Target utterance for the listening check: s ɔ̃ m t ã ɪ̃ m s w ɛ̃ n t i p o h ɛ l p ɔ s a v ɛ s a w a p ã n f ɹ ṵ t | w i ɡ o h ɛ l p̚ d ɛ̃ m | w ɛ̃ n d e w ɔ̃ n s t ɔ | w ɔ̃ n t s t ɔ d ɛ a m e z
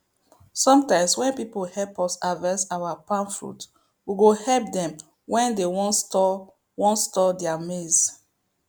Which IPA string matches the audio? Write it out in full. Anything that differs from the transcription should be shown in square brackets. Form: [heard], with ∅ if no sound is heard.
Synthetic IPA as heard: s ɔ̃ m t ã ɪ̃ m s w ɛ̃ n [p] i p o h ɛ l p ɔ s a v ɛ s a w a p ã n f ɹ ṵ t | w i ɡ o h ɛ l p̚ d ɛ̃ m | w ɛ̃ n d e w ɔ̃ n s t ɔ | w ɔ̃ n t s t ɔ d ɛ a m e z